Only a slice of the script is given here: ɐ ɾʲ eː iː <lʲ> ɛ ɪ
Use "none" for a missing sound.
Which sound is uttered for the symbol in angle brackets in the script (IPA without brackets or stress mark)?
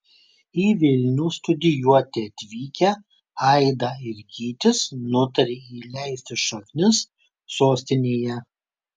lʲ